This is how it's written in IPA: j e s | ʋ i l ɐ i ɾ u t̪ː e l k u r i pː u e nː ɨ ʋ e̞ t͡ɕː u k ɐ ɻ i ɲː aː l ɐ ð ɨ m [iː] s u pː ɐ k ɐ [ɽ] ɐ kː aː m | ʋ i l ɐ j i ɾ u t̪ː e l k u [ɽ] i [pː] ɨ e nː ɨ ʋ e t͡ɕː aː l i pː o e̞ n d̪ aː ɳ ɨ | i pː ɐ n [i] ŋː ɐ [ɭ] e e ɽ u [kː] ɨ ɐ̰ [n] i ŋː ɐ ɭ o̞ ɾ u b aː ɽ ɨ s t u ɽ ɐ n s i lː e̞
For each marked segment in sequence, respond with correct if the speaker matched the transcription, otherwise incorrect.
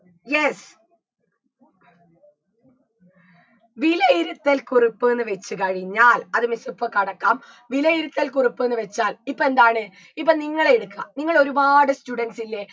incorrect: i, correct, incorrect: r, correct, correct, correct, correct, correct

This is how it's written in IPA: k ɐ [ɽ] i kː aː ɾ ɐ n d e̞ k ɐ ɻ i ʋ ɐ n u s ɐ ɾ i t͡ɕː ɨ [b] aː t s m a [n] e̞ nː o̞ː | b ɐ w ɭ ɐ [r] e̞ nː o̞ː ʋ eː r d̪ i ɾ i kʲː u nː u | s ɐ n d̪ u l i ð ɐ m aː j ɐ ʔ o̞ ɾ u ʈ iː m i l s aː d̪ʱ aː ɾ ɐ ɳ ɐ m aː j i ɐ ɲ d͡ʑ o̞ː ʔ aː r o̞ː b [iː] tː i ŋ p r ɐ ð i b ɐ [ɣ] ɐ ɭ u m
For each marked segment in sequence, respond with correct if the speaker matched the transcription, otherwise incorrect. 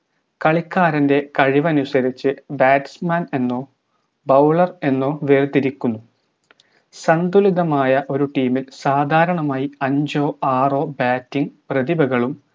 incorrect: ɭ, correct, correct, correct, incorrect: aː, correct

